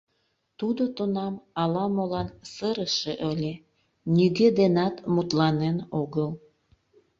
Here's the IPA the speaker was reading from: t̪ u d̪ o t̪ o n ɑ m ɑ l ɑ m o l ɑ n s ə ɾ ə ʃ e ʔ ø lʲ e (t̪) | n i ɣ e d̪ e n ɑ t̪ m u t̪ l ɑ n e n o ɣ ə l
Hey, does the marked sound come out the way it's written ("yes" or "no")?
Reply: no